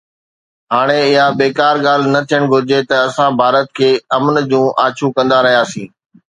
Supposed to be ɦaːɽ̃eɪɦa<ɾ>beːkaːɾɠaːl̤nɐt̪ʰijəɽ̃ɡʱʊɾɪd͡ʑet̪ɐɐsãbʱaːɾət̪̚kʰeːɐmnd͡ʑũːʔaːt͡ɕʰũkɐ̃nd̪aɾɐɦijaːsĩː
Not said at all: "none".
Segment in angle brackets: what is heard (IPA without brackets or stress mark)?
none